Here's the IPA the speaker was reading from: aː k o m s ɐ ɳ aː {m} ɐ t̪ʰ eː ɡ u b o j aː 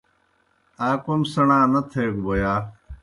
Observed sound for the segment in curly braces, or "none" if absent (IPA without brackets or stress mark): n